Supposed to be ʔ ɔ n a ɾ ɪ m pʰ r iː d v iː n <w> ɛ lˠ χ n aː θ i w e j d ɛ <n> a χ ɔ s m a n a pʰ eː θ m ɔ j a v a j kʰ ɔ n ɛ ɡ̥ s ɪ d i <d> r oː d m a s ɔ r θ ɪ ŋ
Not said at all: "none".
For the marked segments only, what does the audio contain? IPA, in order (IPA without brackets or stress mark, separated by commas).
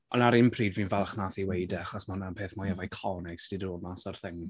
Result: v, none, d